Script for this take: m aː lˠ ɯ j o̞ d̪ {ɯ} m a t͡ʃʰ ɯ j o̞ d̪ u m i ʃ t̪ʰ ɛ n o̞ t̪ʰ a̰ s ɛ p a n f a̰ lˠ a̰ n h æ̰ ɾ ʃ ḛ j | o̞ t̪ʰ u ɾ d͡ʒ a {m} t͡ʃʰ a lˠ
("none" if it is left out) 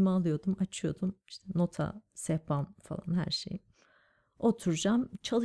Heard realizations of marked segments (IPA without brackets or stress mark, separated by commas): u, m